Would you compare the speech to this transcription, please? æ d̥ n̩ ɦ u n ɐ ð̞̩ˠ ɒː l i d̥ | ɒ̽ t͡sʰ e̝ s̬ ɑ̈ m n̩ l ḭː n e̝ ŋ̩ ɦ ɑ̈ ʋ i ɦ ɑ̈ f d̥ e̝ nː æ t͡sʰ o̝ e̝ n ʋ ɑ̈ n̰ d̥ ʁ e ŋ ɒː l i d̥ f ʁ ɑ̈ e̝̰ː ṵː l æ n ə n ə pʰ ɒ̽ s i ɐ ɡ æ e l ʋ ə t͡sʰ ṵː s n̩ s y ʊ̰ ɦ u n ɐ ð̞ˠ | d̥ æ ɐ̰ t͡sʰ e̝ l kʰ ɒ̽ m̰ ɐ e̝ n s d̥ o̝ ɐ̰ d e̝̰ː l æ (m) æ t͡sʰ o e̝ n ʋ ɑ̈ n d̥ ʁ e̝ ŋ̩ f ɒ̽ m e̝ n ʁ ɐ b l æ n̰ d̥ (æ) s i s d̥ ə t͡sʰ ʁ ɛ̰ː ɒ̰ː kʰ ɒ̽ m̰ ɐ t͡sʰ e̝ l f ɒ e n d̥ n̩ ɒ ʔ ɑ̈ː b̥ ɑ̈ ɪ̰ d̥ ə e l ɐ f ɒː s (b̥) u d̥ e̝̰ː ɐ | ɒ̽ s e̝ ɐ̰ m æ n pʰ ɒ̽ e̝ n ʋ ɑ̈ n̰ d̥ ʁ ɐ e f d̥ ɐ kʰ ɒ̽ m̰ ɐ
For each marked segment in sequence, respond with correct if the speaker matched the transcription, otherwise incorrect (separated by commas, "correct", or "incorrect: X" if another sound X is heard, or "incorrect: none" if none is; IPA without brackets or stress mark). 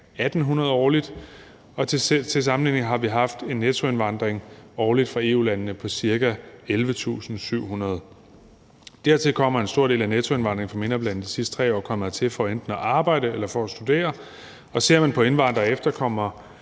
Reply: incorrect: n, incorrect: i, incorrect: d̥